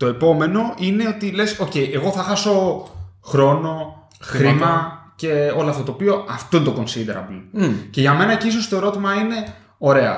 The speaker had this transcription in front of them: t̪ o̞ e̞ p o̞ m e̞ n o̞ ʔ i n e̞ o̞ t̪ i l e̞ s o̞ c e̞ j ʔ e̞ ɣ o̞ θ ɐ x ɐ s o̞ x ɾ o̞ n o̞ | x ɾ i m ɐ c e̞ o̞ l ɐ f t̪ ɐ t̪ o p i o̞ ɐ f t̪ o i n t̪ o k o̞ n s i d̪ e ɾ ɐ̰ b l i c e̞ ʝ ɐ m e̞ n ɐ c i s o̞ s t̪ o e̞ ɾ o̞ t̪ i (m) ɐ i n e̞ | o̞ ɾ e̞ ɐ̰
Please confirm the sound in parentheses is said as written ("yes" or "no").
yes